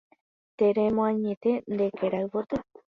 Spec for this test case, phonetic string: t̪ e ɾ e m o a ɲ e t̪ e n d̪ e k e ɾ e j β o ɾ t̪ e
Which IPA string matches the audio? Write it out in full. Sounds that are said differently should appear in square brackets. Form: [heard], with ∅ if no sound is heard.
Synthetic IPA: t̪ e ɾ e m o a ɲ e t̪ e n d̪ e k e ɾ [a] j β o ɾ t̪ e

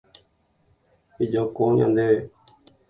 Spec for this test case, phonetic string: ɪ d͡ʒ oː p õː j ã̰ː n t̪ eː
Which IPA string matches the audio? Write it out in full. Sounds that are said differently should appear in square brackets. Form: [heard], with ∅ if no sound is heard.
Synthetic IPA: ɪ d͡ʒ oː [k] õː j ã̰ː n [d̪] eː

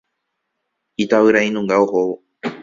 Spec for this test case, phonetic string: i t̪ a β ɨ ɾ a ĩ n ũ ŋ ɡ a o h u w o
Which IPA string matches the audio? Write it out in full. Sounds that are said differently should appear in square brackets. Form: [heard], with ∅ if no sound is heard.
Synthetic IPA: i t̪ a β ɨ ɾ a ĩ n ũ ŋ ɡ a o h [o] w o

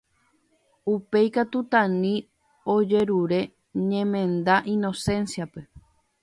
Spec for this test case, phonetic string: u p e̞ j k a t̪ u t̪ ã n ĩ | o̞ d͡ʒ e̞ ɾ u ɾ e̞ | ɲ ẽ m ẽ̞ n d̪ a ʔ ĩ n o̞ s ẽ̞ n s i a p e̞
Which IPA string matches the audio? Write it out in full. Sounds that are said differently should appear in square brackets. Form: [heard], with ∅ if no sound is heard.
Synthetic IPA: u p e̞ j k a t̪ u t̪ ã n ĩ | o̞ d͡ʒ e̞ ɾ u ɾ e̞ | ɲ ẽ m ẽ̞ n d̪ a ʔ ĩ n o̞ s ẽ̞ n s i a p e̞

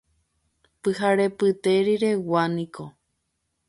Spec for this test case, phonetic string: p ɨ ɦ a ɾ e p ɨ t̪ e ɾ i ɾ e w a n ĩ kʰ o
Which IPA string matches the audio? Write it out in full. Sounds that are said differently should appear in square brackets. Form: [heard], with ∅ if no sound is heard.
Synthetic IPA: p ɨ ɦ a ɾ e p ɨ t̪ e ɾ i ɾ e w a n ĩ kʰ o

